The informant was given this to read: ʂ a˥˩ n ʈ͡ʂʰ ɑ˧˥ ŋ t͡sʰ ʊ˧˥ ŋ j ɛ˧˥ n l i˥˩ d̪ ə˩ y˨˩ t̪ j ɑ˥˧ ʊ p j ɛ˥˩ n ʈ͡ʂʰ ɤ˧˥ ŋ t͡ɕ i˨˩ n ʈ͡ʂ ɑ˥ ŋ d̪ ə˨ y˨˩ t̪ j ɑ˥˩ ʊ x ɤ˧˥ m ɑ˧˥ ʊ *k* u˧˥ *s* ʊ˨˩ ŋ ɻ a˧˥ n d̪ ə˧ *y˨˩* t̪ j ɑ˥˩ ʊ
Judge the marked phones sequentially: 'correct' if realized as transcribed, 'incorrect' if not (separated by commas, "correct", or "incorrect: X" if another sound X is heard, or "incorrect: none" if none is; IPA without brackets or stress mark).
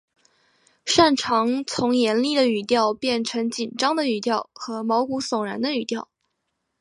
correct, correct, correct